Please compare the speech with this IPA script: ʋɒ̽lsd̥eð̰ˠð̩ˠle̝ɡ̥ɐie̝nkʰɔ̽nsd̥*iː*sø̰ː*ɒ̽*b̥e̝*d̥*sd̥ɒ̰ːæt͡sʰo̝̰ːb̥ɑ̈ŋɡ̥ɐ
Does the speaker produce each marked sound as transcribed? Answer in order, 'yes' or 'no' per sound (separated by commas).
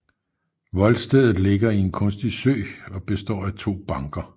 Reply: no, yes, no